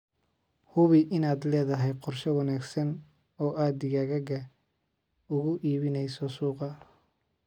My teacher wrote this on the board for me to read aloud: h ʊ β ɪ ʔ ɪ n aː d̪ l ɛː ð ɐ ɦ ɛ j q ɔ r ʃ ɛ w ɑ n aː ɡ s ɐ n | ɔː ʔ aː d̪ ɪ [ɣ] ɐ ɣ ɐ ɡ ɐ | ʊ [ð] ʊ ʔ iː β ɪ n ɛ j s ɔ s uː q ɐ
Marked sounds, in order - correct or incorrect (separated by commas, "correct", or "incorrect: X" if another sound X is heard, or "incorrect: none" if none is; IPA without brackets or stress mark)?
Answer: correct, incorrect: ɣ